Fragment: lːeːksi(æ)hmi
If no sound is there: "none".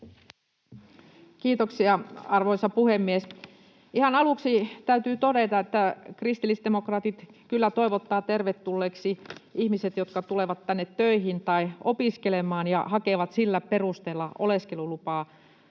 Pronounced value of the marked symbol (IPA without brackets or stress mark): i